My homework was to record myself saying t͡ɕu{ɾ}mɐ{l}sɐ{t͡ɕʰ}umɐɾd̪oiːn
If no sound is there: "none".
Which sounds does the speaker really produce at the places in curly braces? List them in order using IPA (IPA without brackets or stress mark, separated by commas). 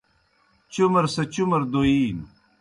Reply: none, ɾ, t͡ɕ